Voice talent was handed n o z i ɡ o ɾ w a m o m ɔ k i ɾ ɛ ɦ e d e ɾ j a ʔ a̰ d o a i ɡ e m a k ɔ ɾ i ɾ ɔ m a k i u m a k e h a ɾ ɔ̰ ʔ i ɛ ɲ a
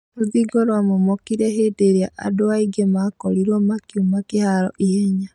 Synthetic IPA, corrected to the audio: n o ð i ɡ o ɾ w a m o m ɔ k i ɾ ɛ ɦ e d e ɾ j a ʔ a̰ d o a i ɡ e m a k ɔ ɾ i ɾ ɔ m a k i u m a k e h a ɾ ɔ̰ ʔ i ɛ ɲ a